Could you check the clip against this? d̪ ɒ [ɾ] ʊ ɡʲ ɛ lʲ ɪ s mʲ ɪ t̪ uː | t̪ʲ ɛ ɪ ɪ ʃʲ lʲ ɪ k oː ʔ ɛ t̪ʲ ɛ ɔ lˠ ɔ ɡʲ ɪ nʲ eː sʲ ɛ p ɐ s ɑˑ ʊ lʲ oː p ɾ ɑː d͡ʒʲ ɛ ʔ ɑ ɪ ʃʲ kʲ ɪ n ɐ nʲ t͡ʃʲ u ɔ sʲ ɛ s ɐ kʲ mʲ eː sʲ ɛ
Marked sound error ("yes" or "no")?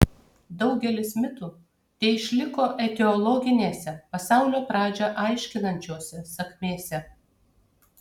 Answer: yes